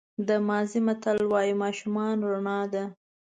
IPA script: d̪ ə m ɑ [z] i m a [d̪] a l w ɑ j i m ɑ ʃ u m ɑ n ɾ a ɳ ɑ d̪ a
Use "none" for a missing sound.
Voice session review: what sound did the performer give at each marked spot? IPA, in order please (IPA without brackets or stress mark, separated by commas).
z, t̪